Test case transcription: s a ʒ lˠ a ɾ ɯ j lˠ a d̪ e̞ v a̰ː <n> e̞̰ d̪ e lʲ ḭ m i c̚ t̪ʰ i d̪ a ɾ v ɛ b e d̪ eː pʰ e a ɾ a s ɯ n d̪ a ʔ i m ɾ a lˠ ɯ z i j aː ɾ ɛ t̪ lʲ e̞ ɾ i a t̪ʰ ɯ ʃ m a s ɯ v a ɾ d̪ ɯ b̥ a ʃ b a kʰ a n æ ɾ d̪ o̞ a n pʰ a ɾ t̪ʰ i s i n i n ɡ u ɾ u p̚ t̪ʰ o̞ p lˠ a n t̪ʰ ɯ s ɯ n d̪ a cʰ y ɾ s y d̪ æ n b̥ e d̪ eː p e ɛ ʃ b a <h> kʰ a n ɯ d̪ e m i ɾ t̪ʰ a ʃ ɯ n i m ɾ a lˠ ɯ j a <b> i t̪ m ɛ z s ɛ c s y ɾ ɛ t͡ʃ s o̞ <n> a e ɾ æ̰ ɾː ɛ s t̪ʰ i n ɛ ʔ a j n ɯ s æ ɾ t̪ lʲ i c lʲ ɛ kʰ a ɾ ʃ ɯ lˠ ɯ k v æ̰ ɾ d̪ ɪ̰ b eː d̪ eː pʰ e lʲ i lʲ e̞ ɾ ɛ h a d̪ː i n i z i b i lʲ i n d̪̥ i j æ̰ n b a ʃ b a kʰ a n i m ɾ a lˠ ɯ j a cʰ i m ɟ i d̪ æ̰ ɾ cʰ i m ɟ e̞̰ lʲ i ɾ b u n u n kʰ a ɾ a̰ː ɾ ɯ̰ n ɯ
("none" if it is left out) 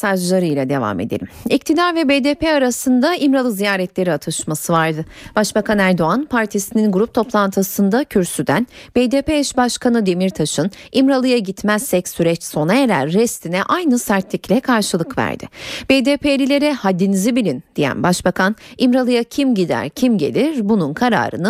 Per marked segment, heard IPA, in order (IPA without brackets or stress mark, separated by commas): m, ʃ, ɟ, n